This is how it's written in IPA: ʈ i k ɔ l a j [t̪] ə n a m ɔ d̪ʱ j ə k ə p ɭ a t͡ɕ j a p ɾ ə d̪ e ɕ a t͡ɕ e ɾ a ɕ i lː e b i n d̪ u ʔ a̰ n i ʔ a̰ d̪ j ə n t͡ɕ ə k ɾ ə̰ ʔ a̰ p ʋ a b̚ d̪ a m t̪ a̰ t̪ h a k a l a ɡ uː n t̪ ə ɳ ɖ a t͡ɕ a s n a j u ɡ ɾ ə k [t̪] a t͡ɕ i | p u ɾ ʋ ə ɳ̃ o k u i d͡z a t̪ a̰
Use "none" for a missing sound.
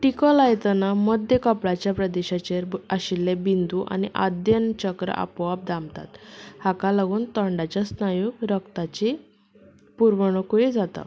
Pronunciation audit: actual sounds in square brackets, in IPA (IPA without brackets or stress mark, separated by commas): t̪, t̪